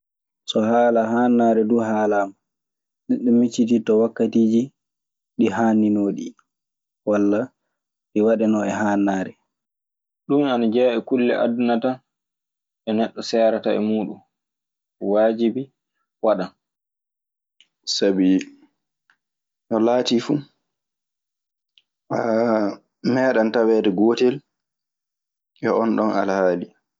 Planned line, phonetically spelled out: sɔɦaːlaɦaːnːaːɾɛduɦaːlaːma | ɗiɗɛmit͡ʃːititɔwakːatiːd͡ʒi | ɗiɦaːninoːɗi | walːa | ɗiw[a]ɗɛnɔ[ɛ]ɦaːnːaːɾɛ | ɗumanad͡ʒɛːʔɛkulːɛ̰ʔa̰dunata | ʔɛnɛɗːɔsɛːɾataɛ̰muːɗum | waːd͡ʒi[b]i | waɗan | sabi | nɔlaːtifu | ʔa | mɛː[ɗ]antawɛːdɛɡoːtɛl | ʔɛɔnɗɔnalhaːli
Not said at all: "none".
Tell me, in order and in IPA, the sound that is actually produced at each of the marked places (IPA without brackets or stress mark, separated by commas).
a, ɛ, b, ɗ